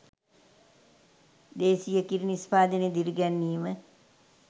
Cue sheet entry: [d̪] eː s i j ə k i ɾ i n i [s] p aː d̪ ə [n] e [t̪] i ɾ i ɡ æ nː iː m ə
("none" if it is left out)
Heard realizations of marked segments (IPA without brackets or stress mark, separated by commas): d̪, s, n, d̪